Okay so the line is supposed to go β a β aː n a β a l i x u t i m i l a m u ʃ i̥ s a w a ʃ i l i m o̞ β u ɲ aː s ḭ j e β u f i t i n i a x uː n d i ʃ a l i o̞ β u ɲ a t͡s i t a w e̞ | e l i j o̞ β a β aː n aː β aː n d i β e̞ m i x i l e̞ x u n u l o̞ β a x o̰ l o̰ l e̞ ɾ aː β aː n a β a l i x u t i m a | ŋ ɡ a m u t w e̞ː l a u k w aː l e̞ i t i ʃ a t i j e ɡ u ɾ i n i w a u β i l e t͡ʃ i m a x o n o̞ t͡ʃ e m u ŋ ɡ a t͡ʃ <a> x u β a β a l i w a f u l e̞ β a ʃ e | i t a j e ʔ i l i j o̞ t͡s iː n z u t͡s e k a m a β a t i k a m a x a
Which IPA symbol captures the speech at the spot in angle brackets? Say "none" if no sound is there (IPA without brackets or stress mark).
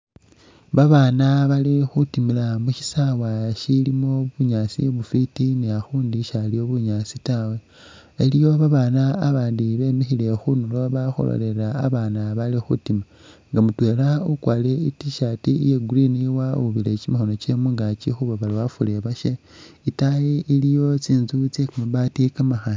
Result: i